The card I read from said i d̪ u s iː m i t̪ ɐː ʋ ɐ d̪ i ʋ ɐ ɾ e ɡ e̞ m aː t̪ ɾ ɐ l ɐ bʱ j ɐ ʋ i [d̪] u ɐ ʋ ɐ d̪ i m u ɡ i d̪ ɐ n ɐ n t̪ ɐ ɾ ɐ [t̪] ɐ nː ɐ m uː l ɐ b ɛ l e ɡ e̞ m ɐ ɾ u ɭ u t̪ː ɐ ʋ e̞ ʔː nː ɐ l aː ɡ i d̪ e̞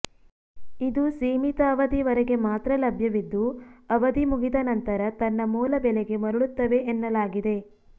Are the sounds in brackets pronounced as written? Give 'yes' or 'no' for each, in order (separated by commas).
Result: no, yes